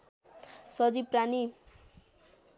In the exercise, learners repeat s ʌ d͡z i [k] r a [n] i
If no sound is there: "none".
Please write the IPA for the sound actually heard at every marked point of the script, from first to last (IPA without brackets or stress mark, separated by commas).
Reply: p, n